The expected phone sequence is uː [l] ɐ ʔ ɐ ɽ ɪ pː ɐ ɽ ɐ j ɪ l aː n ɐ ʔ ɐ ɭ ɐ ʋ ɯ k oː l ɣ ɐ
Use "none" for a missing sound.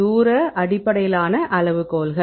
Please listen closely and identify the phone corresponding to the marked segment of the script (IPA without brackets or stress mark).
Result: ɾ